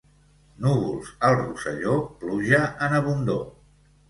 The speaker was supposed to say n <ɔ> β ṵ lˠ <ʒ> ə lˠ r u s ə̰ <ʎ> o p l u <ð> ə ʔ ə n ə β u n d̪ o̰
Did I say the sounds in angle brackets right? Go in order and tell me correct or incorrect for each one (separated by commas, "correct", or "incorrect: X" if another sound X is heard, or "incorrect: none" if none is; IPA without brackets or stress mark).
incorrect: u, incorrect: z, correct, incorrect: ʒ